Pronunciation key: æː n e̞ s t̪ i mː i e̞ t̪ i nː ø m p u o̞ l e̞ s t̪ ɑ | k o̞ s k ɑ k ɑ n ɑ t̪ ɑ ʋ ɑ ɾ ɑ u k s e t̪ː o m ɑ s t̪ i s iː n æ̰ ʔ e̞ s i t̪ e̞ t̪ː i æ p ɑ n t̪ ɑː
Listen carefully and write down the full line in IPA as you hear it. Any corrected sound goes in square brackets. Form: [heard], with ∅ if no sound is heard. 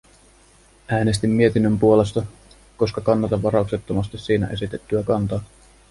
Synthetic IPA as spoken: æː n e̞ s t̪ i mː i e̞ t̪ i nː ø m p u o̞ l e̞ s t̪ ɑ | k o̞ s k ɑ k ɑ [nː] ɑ t̪ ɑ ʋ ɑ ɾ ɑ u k s e t̪ː o m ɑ s t̪ i s iː n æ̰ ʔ e̞ s i t̪ e̞ t̪ː [y] æ [k] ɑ n t̪ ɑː